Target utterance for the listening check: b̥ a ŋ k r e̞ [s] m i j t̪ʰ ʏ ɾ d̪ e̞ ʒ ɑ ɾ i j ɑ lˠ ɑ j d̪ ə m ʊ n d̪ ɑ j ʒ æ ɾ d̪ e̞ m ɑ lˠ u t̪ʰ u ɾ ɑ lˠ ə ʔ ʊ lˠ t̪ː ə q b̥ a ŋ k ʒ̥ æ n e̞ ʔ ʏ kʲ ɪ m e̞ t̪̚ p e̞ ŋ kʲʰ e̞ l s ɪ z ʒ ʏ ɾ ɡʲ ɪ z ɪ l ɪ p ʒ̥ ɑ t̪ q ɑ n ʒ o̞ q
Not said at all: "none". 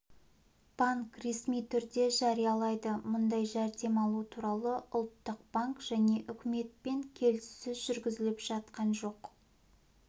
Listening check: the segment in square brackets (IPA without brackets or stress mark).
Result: s